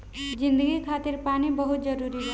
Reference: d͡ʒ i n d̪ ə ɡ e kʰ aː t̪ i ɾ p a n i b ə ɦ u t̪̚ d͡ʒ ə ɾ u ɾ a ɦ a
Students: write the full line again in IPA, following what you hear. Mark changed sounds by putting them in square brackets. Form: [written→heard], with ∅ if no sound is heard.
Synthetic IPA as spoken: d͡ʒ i n d̪ ə ɡ [e→i] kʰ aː t̪ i ɾ p a n i b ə ɦ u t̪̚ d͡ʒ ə ɾ u ɾ [a→i] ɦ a